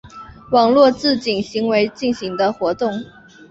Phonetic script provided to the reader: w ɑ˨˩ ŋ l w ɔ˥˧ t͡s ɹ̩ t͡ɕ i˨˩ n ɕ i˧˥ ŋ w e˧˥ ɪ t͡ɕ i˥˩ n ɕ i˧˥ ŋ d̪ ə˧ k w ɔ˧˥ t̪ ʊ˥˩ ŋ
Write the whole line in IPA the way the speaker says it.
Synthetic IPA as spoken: w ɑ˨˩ ŋ l w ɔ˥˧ t͡s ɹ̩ t͡ɕ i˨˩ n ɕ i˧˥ ŋ w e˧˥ ɪ t͡ɕ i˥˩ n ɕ i˧˥ ŋ d̪ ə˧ x w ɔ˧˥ t̪ ʊ˥˩ ŋ